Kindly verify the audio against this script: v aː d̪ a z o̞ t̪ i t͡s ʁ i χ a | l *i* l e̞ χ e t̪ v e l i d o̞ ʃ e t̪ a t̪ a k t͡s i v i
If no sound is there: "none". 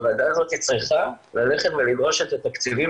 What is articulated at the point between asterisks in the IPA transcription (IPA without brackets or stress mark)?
a